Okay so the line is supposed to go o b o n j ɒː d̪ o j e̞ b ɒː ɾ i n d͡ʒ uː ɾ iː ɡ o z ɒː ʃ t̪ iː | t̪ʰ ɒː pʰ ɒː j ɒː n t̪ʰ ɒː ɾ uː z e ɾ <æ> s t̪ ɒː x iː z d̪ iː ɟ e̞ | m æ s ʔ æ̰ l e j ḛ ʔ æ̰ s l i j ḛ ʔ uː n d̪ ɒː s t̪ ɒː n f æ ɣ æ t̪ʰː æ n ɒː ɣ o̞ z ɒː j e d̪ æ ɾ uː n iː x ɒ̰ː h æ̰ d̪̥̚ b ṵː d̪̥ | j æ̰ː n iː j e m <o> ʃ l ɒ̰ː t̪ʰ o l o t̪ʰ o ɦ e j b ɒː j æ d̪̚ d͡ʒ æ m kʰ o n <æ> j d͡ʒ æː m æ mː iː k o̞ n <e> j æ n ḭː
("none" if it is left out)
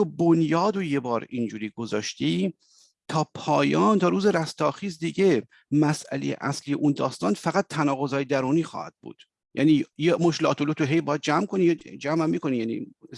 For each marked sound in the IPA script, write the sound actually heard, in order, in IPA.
æ, o, i, i

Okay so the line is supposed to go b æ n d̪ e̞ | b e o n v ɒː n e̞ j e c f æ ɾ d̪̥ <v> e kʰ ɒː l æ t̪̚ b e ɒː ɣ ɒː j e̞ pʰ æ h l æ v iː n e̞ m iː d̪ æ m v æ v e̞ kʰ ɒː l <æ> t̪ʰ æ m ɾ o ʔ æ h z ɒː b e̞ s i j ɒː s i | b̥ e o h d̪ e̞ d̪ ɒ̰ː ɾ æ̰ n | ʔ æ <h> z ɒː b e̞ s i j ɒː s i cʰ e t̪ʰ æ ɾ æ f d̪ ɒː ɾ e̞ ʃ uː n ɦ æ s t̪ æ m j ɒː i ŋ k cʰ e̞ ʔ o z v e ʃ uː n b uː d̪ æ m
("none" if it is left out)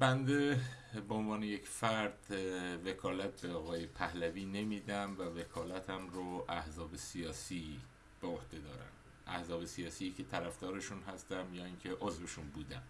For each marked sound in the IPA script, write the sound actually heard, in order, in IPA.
v, æ, h

